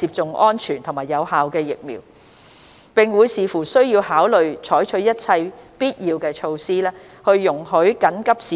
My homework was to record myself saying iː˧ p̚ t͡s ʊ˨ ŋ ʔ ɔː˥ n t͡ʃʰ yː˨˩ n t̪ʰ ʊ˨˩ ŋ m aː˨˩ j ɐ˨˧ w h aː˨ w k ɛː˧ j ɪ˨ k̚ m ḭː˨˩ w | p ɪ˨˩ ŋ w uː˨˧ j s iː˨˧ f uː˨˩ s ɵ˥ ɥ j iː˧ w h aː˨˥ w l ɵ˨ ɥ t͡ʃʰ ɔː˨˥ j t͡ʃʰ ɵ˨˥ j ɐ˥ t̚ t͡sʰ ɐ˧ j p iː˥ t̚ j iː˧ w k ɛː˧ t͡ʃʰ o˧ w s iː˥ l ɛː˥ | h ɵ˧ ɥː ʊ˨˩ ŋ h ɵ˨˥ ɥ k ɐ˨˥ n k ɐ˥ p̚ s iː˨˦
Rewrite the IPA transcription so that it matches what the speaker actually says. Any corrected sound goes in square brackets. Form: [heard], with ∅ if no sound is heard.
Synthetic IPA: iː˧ p̚ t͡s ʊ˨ ŋ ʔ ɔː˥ n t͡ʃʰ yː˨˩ n t̪ʰ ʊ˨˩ ŋ m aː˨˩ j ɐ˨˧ w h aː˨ w k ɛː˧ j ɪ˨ k̚ m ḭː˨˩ w | p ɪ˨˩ ŋ w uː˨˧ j s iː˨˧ f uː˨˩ s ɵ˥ ɥ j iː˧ w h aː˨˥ w l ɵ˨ ɥ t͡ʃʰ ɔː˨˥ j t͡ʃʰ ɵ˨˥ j ɐ˥ t̚ t͡sʰ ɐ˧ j p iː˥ t̚ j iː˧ w k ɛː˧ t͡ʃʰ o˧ w s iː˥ l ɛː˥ | h ɵ˧ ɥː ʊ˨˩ ŋ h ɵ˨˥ ɥ k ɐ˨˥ n k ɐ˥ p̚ s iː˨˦